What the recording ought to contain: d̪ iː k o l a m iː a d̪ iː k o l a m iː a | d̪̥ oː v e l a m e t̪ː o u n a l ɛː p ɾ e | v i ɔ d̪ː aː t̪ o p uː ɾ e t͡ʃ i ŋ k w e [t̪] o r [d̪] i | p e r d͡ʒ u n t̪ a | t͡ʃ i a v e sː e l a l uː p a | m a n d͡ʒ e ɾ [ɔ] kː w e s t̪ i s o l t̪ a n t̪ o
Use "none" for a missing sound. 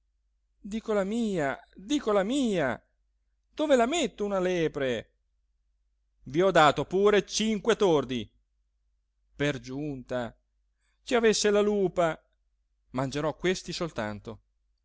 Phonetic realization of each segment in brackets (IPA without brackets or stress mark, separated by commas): t̪, d̪, ɔ